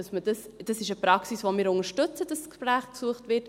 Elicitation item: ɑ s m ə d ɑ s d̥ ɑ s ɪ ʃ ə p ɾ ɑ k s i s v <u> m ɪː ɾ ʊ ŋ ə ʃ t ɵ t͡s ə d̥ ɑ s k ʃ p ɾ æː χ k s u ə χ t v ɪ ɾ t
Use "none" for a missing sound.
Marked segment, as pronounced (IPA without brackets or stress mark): o